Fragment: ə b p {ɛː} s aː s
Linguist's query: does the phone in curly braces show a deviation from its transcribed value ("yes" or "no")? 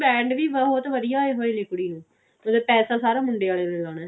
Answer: no